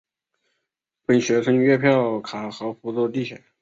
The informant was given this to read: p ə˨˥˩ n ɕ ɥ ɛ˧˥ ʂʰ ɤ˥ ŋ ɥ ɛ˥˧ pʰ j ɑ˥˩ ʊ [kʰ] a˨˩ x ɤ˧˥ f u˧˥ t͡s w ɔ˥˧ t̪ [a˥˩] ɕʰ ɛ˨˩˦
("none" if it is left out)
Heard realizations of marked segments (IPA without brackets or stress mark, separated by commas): kʰ, i˥˩